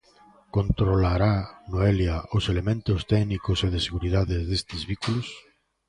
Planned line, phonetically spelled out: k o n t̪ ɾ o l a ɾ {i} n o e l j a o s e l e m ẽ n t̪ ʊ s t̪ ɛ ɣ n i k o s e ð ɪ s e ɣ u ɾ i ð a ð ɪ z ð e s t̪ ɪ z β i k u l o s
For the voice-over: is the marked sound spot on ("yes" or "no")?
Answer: no